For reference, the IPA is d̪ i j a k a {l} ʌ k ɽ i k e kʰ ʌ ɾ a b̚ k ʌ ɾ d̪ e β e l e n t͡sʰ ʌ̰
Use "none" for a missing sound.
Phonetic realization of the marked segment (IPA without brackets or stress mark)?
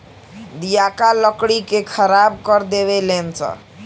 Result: l